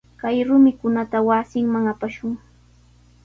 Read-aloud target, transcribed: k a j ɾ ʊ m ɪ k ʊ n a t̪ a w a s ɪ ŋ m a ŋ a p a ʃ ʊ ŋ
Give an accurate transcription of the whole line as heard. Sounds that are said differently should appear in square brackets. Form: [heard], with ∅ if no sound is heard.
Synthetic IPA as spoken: k a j ɾ ʊ m ɪ k ʊ n a t̪ a w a s ɪ ŋ m a ŋ a p a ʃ ʊ ŋ